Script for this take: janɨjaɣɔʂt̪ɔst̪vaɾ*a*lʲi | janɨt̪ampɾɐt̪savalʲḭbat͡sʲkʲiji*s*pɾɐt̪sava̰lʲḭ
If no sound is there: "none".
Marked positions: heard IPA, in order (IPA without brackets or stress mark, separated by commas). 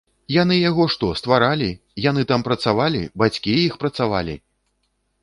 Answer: a, x